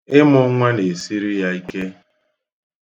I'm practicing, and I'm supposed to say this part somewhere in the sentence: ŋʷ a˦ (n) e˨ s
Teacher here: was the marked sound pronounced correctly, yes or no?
yes